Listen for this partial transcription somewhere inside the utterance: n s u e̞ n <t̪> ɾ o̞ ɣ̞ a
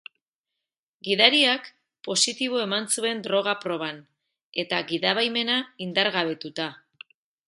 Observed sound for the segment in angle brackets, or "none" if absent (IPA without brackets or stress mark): d̪